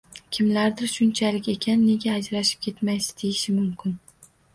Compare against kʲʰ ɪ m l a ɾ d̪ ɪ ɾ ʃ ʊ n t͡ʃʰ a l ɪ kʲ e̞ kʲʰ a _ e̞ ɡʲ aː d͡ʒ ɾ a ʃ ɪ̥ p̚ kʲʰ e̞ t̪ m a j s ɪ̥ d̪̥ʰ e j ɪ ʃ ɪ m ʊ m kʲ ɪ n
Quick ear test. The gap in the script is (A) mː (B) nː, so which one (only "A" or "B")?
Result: B